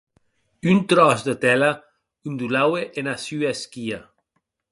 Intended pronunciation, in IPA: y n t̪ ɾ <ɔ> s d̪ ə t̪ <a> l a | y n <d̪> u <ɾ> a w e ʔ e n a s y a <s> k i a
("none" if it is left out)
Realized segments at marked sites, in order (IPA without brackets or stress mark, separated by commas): ɔ, ɛ, d̪, l, s